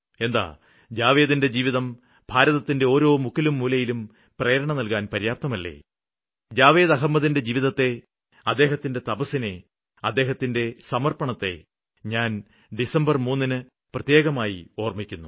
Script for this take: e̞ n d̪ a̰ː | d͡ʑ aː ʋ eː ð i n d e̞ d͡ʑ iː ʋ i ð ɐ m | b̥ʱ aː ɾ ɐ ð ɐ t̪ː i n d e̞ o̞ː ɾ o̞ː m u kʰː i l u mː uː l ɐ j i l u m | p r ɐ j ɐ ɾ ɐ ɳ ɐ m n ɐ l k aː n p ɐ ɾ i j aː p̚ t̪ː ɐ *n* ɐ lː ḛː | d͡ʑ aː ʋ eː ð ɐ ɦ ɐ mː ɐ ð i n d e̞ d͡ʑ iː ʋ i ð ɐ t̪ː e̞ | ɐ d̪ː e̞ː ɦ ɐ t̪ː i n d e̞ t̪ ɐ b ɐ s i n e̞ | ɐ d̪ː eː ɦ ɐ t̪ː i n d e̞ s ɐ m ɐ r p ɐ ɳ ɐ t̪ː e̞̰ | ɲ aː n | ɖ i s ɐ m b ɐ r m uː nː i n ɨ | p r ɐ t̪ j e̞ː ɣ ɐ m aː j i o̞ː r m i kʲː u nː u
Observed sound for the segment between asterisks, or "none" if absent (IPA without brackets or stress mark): m